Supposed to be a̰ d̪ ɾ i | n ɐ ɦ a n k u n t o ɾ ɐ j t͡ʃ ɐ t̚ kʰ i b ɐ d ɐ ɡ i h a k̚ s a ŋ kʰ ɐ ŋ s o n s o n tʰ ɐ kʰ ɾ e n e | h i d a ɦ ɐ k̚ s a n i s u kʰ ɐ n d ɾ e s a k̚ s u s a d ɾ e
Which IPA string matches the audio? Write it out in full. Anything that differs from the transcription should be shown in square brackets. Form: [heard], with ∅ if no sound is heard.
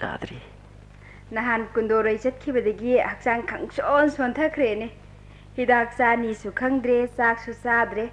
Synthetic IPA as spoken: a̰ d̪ ɾ i | n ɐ ɦ a n k u n [d] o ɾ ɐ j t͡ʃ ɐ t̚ kʰ i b ɐ d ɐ ɡ i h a k̚ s a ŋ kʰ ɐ ŋ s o n s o n tʰ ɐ kʰ ɾ e n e | h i d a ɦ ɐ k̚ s a n i s u kʰ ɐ [ŋ] d ɾ e s a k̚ s u s a d ɾ e